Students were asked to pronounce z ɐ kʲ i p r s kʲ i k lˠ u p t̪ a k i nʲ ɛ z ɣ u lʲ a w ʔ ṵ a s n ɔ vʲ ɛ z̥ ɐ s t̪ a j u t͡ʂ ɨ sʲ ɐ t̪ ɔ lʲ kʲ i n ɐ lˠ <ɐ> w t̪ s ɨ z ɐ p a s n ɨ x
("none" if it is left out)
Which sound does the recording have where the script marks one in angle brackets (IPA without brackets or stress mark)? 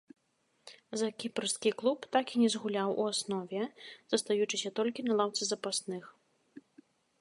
a